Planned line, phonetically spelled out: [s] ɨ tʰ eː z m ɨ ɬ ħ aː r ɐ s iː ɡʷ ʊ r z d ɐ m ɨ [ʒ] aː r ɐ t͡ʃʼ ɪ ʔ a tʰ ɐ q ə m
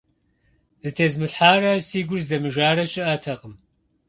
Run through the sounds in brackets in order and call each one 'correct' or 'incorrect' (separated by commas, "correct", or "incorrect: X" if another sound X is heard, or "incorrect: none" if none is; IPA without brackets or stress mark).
incorrect: z, correct